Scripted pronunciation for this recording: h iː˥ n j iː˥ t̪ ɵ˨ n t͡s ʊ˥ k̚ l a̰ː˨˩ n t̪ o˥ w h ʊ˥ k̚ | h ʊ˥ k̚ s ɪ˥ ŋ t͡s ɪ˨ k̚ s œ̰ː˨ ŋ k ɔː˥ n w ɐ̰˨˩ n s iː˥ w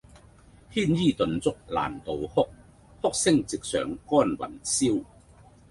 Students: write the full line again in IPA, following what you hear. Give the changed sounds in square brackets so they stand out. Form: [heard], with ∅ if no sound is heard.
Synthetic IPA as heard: h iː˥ n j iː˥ t̪ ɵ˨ n t͡s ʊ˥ k̚ l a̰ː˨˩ n t̪ [o˨] w h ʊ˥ k̚ | h ʊ˥ k̚ s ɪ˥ ŋ t͡s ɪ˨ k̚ s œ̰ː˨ ŋ k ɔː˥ n w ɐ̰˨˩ n s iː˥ w